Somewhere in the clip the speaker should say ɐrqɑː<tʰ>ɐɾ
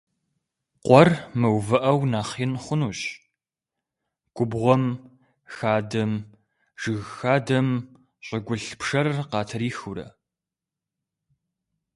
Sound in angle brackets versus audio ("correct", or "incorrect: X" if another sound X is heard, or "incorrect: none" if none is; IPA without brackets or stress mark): correct